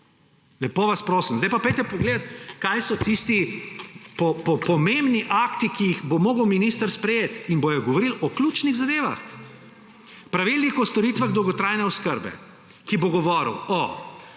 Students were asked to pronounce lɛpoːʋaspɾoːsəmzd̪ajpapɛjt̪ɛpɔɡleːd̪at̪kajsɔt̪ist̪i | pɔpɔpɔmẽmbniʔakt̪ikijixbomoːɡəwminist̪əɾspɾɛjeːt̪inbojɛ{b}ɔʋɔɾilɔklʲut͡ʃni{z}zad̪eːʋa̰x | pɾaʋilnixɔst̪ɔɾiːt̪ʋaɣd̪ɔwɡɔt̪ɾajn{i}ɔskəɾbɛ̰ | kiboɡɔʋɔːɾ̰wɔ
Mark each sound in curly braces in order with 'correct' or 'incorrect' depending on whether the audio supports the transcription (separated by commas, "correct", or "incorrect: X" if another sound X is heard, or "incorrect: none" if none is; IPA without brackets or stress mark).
incorrect: ɡ, incorrect: ɣ, incorrect: ɛ